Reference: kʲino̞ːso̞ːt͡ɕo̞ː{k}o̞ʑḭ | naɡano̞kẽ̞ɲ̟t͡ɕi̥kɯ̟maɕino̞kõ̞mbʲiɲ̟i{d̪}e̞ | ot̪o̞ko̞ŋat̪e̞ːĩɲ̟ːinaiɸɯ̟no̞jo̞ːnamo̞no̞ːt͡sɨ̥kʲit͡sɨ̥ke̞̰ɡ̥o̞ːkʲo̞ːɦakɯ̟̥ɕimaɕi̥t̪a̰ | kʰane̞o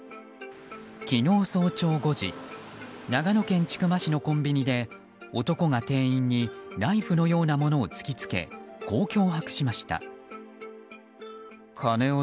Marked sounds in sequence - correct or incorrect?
incorrect: ɡ, correct

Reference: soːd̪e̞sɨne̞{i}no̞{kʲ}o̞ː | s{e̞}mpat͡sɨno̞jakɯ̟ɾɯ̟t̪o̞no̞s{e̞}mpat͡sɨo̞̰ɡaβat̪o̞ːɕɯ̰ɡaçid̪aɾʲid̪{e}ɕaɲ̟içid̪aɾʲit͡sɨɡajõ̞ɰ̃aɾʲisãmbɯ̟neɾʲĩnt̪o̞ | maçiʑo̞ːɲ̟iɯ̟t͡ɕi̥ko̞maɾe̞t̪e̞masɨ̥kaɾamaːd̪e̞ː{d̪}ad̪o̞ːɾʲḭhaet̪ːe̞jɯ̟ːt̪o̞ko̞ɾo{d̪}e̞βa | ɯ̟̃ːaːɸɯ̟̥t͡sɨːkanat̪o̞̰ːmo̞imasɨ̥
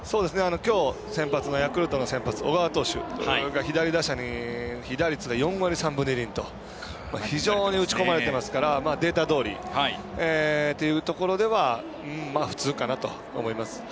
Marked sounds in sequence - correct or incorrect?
incorrect: a, correct, incorrect: ẽ̞, incorrect: ẽ̞, incorrect: a, incorrect: t̪, correct

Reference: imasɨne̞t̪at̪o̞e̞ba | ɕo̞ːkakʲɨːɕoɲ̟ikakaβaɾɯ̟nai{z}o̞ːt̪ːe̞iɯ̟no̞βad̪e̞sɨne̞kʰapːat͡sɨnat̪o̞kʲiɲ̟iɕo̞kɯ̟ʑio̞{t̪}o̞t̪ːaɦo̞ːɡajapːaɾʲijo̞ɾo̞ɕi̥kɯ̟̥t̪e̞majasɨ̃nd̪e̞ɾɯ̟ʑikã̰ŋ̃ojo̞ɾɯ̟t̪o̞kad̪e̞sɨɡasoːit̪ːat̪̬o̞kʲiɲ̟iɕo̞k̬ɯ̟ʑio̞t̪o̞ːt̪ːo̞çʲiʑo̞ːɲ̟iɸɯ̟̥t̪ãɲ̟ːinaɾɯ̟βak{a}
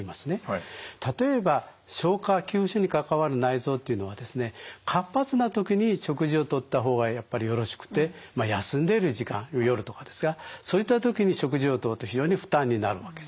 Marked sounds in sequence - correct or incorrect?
correct, correct, incorrect: e

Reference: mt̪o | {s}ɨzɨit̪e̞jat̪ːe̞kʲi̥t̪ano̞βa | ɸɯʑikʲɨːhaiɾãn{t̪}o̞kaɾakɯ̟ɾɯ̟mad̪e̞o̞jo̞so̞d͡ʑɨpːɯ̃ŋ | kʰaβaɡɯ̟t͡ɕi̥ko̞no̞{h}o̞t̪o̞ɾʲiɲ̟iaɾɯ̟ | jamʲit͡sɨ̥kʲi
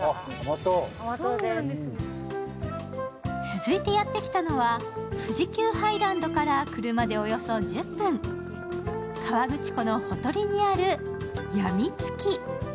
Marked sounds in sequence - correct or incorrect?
incorrect: t͡s, incorrect: d̪, correct

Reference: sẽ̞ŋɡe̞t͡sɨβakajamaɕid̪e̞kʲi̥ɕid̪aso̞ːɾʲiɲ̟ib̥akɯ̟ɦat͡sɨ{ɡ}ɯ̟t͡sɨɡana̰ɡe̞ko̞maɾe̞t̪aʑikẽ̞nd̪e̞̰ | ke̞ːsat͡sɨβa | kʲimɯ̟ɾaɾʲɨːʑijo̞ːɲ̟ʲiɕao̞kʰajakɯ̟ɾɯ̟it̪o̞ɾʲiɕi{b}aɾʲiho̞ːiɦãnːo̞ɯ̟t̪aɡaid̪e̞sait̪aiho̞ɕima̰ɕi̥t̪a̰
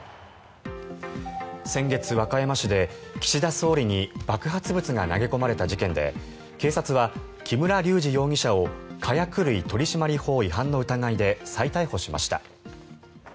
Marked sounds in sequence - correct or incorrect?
incorrect: b, incorrect: m

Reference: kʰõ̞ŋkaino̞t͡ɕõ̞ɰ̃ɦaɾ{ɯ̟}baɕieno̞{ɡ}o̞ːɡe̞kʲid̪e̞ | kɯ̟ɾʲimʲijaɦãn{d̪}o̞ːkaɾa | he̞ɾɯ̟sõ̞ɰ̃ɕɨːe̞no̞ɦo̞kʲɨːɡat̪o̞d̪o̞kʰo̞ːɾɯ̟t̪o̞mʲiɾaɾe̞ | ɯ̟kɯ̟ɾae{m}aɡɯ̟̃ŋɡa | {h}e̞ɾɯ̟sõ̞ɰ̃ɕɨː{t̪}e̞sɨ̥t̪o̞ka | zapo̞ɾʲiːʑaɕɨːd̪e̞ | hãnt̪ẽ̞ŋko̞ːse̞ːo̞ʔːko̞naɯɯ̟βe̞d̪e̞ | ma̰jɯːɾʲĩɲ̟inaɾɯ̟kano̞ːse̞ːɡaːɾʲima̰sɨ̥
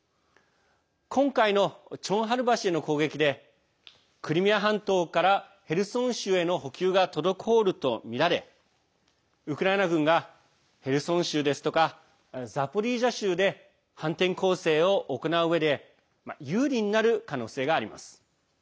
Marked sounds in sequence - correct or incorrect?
correct, incorrect: k, incorrect: t̪, incorrect: n, correct, incorrect: d̪

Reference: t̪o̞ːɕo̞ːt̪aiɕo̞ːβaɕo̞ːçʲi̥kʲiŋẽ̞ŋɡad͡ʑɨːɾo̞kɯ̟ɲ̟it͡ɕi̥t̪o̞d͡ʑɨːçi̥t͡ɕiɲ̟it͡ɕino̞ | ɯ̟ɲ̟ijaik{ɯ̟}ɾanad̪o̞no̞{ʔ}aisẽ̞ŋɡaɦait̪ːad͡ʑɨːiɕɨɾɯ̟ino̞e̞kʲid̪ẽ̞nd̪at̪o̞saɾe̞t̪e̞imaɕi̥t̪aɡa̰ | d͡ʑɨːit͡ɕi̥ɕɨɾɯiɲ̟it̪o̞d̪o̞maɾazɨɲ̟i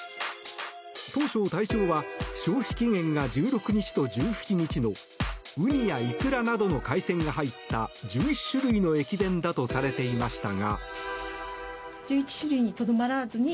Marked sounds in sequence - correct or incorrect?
correct, incorrect: k

